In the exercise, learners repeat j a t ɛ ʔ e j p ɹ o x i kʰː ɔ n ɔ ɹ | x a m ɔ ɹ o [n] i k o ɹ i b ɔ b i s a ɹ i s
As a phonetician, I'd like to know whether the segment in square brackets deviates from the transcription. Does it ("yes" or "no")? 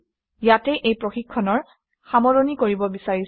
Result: no